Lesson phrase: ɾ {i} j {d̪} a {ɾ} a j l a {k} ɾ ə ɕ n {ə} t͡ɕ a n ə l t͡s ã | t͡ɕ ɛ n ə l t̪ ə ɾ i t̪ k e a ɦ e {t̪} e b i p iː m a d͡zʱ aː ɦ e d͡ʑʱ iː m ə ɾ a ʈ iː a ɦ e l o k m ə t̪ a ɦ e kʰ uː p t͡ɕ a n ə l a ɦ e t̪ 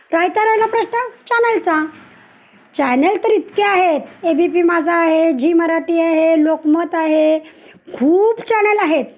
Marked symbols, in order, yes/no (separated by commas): no, no, yes, no, yes, yes